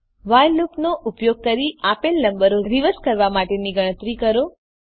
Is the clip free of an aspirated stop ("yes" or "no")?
yes